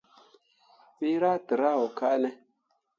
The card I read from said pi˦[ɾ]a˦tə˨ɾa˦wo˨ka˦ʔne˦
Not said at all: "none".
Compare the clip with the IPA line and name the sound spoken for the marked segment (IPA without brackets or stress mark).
ɾ